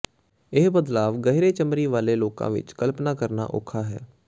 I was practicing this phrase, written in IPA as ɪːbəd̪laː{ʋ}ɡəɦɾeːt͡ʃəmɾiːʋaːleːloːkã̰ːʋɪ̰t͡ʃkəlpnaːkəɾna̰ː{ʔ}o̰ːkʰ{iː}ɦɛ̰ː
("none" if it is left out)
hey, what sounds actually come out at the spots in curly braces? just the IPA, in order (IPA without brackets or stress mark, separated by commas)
ʋ, ʔ, aː